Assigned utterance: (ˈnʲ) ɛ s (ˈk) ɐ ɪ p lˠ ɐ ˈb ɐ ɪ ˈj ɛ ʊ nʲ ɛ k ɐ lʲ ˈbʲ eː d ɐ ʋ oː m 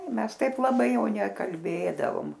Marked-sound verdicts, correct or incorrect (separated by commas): incorrect, incorrect